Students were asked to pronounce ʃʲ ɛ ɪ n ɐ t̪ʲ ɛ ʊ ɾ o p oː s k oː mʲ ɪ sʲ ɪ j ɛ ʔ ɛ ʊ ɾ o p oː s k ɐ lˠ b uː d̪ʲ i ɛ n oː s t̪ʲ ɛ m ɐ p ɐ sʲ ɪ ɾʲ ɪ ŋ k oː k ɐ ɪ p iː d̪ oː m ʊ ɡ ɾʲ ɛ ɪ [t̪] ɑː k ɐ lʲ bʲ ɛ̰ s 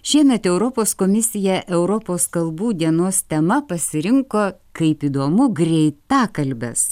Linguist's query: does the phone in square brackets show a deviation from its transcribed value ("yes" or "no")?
no